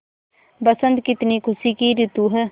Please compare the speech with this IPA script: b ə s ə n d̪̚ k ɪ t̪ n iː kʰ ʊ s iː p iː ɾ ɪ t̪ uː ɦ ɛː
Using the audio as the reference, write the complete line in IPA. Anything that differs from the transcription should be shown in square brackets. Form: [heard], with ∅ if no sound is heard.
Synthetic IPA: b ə s ə n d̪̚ k ɪ t̪ n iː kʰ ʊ s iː [k] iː ɾ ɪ t̪ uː ɦ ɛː